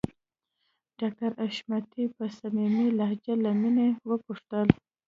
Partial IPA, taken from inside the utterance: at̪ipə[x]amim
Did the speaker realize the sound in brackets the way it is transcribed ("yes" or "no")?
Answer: no